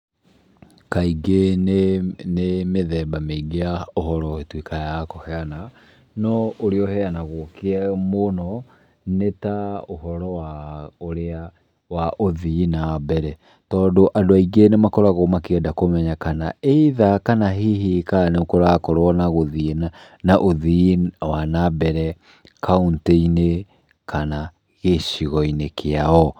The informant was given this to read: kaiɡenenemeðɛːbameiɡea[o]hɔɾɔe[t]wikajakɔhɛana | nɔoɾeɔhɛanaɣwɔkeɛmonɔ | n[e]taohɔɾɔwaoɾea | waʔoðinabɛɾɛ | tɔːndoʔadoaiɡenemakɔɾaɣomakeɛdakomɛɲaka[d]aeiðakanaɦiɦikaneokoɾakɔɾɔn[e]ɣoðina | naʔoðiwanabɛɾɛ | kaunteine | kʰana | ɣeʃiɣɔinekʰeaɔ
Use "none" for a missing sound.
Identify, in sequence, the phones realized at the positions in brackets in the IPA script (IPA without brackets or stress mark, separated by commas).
o, t, e, n, a